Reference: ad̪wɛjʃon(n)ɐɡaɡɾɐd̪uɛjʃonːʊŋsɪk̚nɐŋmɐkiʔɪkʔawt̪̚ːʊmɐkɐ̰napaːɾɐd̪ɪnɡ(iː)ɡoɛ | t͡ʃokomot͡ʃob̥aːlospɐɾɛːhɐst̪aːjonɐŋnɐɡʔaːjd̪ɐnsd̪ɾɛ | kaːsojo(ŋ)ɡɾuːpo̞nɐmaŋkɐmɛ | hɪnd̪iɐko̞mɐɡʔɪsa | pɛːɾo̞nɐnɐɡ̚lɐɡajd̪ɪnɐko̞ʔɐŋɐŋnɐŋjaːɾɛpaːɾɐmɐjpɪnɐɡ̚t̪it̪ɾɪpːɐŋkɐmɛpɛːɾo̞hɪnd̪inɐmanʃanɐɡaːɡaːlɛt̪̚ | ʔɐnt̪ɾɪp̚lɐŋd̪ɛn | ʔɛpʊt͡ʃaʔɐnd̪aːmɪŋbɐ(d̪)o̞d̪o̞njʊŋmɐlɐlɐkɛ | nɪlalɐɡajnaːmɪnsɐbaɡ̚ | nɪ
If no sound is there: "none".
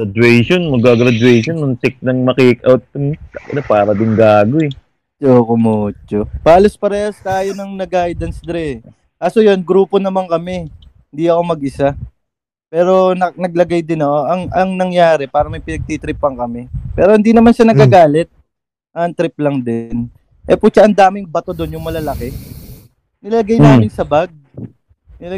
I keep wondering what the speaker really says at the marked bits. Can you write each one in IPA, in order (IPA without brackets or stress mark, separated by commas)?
m, aː, n, t̪